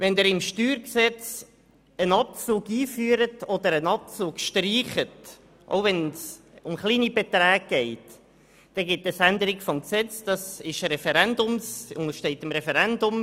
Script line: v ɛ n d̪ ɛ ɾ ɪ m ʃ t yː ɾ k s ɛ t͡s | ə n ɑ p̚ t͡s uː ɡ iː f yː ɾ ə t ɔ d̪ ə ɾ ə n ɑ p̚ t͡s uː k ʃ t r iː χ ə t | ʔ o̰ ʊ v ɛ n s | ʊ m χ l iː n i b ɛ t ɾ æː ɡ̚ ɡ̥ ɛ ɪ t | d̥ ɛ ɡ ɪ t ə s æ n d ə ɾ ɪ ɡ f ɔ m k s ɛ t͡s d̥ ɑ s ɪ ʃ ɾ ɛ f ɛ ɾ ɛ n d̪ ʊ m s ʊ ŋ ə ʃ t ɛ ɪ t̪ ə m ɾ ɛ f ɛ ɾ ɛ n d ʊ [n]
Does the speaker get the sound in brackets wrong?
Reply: yes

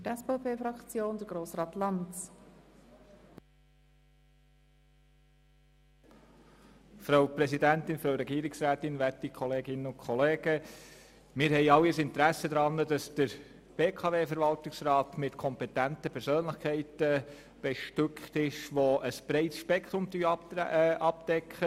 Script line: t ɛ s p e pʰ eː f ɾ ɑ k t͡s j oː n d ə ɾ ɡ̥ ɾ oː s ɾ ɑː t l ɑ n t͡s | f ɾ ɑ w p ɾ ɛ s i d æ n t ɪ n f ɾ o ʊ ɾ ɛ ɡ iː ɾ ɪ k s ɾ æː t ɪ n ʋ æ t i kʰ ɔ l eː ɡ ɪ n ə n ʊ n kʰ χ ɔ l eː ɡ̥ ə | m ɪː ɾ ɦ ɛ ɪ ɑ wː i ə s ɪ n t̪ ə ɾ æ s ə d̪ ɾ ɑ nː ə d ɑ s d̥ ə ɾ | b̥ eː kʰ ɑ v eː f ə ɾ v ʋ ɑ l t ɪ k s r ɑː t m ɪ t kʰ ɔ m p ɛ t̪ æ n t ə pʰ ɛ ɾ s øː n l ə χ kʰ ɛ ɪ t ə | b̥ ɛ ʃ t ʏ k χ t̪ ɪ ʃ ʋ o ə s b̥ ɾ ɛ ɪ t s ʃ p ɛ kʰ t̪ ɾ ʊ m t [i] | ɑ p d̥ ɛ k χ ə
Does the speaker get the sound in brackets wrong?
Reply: yes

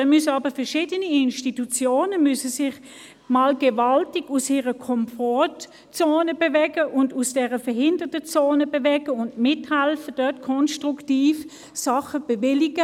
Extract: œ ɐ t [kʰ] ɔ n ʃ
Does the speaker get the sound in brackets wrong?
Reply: no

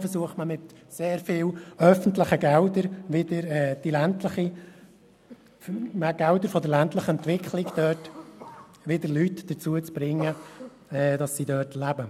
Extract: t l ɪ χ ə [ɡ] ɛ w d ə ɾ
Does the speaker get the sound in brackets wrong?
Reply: no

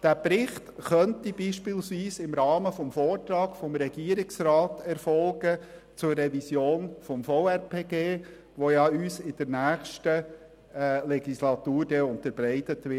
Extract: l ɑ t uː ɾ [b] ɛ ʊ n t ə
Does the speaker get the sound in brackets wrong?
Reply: yes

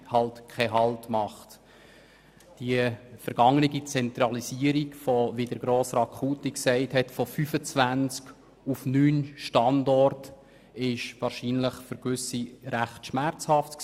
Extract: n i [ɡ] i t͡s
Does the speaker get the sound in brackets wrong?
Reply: no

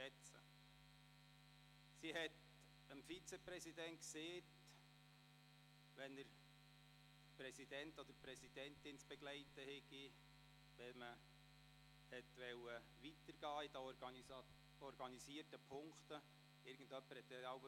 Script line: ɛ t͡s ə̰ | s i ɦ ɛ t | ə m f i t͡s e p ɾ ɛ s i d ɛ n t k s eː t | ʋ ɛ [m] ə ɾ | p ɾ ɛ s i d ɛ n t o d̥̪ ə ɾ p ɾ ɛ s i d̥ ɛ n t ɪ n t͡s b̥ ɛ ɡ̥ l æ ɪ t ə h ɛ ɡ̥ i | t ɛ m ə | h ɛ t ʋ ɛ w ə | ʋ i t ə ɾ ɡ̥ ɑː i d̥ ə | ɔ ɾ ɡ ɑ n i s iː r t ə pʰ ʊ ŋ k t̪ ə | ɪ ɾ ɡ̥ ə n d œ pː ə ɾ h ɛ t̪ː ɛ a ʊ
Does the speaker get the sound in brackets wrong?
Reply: yes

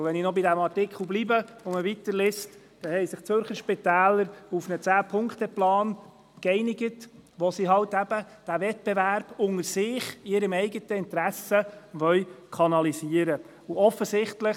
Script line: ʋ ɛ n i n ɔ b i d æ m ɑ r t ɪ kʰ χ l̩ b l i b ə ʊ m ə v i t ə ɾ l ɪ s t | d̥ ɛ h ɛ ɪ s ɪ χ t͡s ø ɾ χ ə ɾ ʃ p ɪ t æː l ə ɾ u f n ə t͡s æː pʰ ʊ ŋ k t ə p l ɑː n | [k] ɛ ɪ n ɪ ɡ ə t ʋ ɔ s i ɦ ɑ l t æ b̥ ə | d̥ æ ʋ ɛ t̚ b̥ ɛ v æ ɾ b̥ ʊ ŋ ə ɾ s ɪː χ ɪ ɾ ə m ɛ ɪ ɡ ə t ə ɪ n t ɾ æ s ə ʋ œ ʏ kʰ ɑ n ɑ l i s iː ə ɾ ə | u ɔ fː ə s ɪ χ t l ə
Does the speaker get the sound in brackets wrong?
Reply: no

